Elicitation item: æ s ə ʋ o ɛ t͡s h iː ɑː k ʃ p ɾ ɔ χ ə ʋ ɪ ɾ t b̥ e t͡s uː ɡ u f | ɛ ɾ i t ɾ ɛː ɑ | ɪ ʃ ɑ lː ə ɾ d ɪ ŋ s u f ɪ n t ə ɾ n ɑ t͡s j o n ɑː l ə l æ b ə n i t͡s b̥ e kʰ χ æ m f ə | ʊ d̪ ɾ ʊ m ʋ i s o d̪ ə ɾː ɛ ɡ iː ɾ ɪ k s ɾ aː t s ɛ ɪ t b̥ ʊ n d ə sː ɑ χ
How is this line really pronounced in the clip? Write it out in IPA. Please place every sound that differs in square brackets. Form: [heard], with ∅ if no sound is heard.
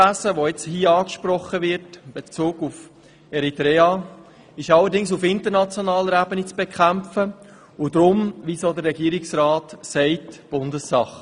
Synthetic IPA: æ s ə ʋ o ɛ t͡s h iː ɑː k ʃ p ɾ ɔ χ ə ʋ ɪ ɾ t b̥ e t͡s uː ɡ u f | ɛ ɾ i t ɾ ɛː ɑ | ɪ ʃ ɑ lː ə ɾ d ɪ ŋ s u f ɪ n t ə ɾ n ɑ t͡s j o n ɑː l ə [ɾ] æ b ə n i t͡s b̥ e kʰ χ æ m f ə | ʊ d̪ ɾ ʊ m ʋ i s o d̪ ə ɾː ɛ ɡ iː ɾ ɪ k s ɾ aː t s ɛ ɪ t b̥ ʊ n d ə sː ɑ χ